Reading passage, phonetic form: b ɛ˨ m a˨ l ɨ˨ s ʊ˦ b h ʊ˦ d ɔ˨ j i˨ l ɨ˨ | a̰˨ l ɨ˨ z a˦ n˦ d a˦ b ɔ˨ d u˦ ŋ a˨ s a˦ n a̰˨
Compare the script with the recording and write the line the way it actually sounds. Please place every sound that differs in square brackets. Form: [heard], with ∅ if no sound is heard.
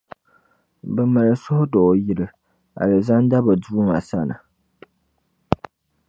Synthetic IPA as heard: b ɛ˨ m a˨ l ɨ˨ s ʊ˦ [∅] h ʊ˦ d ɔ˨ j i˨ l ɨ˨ | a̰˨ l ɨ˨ z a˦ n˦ d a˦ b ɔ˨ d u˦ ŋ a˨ s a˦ n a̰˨